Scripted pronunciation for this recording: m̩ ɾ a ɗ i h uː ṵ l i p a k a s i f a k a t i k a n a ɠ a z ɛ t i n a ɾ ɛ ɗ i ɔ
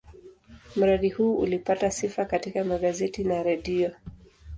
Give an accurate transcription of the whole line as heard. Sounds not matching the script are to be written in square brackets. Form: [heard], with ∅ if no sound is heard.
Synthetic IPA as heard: m̩ ɾ a ɗ i h uː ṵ l i p a [t] a s i f a k a t i k a [m] a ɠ a z ɛ t i n a ɾ ɛ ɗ i ɔ